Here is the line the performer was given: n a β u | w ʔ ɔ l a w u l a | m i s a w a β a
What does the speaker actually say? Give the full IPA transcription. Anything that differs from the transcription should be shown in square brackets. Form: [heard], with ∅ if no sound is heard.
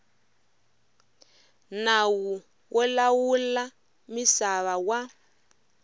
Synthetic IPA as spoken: n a [w] u | w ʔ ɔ l a w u l a | m i s a [β] a [w] a